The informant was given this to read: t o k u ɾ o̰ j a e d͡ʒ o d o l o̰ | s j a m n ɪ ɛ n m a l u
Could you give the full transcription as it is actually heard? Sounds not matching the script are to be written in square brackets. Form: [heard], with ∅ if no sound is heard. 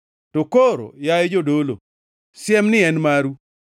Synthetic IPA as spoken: t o k [o] ɾ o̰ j a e d͡ʒ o d o l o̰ | s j [ɛ] m n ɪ ɛ n m a [ɾ] u